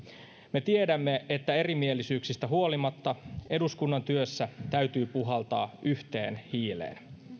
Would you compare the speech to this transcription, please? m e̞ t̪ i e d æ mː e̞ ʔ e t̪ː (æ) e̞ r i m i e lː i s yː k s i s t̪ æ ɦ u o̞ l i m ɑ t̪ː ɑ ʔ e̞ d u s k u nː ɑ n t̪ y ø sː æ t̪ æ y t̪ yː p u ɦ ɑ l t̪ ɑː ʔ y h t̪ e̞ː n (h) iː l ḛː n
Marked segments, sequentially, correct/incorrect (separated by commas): correct, correct